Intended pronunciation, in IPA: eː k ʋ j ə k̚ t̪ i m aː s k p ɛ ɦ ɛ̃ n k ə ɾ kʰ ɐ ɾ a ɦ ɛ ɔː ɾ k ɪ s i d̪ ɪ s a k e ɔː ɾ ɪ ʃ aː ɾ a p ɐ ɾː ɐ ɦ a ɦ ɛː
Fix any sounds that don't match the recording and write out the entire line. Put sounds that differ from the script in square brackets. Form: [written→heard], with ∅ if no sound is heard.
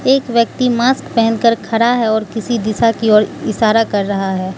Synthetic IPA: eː k ʋ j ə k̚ t̪ i m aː s k p ɛ ɦ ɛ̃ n k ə ɾ kʰ ɐ ɾ a ɦ ɛ ɔː ɾ k ɪ s i d̪ ɪ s a k [e→i] ɔː ɾ ɪ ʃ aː ɾ a [p→k] ɐ ɾː ɐ ɦ a ɦ ɛː